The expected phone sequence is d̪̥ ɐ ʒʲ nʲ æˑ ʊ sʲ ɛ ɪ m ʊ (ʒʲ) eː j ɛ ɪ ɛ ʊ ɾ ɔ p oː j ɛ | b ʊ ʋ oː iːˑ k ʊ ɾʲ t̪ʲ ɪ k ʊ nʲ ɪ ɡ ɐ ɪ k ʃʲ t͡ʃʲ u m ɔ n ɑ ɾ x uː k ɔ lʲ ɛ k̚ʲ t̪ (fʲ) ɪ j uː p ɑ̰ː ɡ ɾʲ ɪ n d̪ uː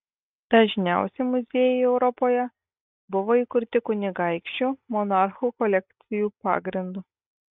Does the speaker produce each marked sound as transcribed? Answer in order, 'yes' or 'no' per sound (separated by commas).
no, no